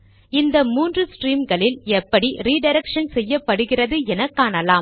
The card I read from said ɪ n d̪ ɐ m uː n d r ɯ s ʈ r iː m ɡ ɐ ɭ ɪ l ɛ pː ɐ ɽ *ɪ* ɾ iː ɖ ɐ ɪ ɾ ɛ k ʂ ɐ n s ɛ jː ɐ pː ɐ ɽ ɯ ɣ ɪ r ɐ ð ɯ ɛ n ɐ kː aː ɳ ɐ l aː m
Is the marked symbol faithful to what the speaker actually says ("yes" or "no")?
no